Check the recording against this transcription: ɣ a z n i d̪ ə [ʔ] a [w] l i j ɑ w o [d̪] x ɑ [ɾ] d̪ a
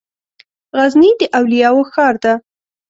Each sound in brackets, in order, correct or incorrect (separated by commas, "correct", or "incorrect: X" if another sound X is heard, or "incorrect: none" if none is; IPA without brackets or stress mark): correct, correct, incorrect: none, correct